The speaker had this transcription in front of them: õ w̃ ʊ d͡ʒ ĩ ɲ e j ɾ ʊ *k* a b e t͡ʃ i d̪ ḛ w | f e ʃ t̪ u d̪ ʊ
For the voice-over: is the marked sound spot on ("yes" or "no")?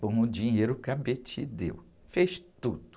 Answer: yes